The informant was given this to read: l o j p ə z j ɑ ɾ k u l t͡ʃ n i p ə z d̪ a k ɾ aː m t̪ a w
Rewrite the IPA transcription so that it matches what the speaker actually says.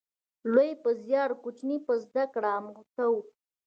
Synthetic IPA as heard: l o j p ə z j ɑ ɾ k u t͡ʃ n i p ə z d̪ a k ɽ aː m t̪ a w